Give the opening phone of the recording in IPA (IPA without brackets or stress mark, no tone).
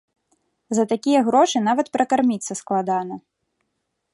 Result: z